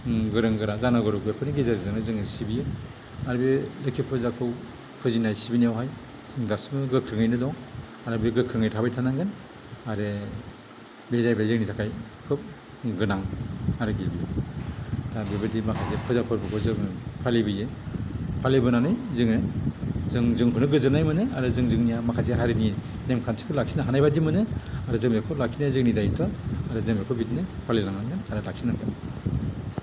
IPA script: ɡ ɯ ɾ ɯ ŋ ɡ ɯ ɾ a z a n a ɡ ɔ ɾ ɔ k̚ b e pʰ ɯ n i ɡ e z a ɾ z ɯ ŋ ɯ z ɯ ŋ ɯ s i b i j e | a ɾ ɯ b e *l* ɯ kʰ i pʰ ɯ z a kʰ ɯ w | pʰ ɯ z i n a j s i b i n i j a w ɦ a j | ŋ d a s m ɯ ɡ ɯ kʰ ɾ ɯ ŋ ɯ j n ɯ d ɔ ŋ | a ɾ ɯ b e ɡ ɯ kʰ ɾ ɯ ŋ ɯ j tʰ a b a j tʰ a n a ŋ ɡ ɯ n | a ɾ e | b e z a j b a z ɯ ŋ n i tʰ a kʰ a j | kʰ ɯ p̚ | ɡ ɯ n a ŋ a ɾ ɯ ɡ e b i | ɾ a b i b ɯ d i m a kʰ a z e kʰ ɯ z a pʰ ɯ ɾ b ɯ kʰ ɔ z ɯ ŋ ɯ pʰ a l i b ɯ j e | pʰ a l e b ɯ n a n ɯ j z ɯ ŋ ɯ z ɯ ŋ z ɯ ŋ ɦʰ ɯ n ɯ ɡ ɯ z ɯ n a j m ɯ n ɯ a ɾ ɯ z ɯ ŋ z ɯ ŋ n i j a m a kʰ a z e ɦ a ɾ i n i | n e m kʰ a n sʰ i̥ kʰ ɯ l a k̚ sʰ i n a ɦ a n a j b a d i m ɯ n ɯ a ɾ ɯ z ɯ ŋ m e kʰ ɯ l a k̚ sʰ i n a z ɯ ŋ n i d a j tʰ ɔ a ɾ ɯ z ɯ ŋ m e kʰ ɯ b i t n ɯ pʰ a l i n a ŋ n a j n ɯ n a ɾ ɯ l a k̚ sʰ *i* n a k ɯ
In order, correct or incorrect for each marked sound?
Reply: correct, correct

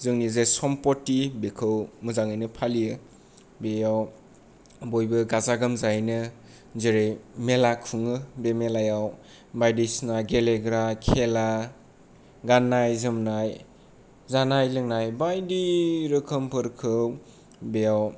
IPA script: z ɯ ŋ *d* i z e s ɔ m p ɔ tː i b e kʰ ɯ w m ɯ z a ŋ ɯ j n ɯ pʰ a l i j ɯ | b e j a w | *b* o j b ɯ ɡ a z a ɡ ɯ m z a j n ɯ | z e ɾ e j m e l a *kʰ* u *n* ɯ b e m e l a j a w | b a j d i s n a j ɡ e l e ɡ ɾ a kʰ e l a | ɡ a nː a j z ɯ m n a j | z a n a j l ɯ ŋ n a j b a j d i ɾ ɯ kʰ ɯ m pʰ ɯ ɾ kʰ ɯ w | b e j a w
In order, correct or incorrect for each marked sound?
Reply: incorrect, correct, correct, incorrect

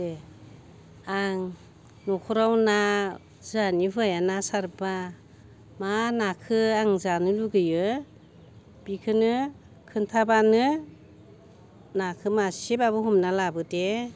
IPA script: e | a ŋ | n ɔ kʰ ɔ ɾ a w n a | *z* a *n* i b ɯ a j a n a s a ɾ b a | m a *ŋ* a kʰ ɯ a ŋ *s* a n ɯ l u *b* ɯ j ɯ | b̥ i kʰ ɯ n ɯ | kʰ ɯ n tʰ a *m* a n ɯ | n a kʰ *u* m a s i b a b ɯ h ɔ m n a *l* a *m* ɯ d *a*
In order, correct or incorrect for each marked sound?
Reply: correct, correct, incorrect, incorrect, incorrect, incorrect, incorrect, correct, incorrect, incorrect

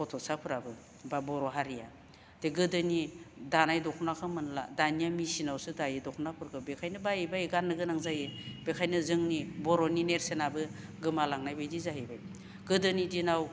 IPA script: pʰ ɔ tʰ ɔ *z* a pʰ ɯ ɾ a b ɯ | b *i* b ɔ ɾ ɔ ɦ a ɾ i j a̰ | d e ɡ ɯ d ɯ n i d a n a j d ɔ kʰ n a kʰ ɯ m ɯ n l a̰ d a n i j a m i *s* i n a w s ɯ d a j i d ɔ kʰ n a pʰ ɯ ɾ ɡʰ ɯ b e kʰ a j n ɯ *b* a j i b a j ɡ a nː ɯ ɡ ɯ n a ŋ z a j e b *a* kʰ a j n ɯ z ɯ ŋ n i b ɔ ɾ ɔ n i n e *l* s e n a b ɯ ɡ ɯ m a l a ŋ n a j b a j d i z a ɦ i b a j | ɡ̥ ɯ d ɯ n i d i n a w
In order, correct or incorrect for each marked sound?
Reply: incorrect, incorrect, correct, correct, incorrect, incorrect

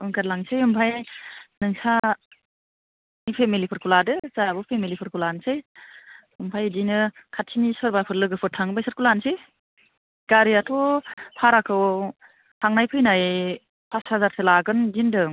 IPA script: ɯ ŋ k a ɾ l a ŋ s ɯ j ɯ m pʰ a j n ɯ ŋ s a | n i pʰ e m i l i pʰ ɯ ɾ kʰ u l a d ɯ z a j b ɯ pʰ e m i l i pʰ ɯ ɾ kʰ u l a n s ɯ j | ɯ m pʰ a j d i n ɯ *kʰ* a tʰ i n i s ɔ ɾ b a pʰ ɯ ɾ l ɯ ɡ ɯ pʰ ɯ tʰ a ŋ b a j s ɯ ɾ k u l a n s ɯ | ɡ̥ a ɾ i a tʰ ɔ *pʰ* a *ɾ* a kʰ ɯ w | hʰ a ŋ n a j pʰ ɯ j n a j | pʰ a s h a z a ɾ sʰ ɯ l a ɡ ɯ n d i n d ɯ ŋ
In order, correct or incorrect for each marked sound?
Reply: correct, correct, correct

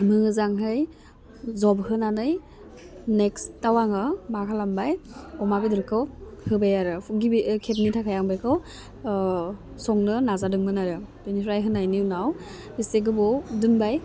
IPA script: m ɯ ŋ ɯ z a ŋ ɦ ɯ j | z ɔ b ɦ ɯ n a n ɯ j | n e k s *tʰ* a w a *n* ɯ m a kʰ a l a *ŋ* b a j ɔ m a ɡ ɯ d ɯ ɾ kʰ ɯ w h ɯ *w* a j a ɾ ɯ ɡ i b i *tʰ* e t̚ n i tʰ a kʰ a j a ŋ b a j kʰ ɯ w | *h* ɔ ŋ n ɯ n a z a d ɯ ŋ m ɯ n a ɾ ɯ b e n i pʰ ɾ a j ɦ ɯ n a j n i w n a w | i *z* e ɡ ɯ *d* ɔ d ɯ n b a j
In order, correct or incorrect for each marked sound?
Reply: incorrect, incorrect, incorrect, incorrect, incorrect, incorrect, incorrect, incorrect

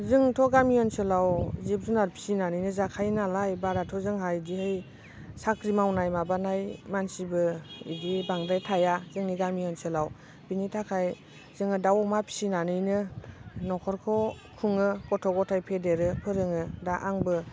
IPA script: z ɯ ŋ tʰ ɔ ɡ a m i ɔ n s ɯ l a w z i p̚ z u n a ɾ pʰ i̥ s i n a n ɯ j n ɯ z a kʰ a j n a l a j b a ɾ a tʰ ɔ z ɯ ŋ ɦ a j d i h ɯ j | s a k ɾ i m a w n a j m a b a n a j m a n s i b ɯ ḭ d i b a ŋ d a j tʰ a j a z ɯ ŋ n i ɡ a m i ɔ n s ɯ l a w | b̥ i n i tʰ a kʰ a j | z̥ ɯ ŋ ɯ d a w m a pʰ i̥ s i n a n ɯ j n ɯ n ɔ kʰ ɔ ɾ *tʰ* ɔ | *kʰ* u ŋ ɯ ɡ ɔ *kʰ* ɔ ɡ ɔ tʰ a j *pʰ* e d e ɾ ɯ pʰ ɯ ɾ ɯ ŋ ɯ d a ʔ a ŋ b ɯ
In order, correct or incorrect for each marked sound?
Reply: incorrect, correct, incorrect, correct

